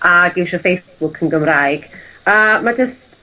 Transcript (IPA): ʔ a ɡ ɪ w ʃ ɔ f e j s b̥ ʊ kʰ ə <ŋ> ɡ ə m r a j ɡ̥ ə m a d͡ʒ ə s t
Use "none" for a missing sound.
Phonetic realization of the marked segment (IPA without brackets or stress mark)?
n